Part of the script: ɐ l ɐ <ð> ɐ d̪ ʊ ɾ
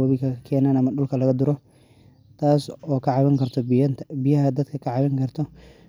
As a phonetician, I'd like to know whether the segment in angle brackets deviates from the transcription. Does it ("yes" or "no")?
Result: yes